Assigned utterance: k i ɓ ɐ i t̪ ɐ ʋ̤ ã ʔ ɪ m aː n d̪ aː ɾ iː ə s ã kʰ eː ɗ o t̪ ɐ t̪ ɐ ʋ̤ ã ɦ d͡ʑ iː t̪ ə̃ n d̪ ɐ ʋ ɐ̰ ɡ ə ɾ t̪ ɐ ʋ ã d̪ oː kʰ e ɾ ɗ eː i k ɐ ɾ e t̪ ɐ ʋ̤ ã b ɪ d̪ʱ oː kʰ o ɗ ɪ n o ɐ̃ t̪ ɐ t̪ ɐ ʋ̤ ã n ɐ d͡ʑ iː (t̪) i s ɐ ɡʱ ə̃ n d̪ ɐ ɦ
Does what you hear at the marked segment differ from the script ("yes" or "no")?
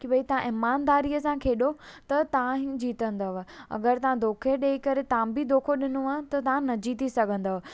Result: no